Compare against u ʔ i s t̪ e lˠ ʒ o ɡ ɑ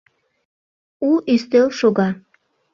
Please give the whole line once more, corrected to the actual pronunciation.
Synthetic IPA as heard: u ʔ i s t̪ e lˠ ʃ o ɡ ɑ